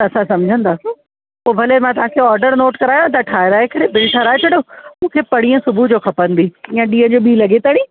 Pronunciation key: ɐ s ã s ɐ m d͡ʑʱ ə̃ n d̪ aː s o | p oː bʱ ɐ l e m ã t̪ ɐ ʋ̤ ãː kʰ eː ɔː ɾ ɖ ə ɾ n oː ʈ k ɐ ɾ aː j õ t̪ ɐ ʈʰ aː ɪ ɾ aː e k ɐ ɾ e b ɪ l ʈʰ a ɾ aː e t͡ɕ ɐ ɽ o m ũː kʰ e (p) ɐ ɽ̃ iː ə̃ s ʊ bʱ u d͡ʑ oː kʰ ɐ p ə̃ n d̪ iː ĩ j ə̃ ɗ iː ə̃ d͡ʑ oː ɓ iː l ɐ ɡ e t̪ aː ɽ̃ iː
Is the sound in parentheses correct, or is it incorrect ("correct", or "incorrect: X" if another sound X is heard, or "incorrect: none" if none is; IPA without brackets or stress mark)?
correct